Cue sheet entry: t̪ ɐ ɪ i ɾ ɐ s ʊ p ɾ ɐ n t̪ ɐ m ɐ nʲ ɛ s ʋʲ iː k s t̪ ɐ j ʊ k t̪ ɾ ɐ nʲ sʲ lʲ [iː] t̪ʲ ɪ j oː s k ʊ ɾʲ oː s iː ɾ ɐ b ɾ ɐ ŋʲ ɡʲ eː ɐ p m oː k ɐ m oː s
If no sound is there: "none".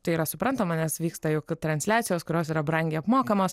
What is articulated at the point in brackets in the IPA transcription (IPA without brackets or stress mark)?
æː